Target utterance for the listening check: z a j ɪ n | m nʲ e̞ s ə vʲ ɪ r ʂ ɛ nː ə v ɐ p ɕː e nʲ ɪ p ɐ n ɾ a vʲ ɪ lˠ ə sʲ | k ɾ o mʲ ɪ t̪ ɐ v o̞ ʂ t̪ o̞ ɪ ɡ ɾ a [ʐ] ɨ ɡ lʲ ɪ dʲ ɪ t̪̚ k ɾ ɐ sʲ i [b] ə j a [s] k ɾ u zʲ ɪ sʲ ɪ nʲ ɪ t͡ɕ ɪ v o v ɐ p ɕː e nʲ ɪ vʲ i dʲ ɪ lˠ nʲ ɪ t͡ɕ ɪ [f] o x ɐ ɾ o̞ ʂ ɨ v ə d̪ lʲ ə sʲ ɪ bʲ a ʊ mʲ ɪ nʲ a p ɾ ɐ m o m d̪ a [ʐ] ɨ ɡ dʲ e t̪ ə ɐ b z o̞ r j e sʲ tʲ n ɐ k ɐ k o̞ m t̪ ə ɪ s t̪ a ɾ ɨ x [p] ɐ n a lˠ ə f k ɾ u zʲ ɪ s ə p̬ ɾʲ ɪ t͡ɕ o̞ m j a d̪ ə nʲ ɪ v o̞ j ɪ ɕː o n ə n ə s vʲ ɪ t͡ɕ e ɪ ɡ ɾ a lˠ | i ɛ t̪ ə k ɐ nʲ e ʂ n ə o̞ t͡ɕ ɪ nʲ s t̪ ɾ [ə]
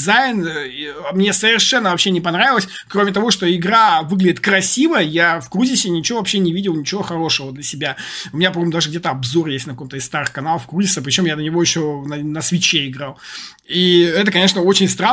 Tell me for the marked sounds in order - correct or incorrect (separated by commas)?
incorrect, incorrect, incorrect, incorrect, correct, incorrect, incorrect